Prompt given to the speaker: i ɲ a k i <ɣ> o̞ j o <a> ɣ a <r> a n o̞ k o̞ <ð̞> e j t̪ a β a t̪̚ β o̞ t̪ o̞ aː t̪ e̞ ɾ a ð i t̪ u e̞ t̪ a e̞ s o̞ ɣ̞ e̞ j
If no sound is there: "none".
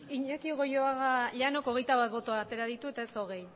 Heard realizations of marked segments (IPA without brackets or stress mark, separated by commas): ɣ, a, ʎ, ɣ̞